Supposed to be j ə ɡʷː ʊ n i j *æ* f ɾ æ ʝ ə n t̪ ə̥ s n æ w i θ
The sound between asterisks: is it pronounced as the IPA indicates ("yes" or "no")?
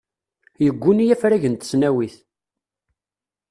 yes